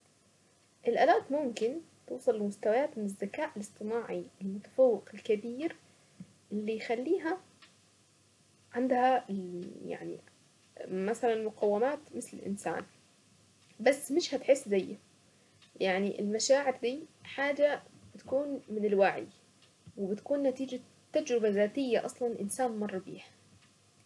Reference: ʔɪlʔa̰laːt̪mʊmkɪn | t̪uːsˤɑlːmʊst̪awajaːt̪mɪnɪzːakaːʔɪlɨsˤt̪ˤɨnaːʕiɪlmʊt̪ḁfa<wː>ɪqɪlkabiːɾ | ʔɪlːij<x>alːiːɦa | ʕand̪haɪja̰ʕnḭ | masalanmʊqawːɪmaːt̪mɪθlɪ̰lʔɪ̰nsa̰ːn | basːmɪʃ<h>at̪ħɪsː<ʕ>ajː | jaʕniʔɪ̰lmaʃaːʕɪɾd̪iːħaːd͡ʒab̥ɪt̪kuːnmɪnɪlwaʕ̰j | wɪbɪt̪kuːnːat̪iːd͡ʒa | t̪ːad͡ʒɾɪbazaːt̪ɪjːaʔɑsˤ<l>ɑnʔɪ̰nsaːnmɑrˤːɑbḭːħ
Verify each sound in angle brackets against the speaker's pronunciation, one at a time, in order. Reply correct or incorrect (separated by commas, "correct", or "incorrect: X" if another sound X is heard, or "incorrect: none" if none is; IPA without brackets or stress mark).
correct, correct, correct, incorrect: z, correct